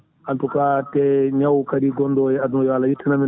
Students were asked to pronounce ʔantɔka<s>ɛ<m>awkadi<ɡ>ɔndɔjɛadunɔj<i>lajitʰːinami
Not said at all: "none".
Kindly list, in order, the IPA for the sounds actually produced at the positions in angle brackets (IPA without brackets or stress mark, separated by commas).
t, ɲ, ɡ, a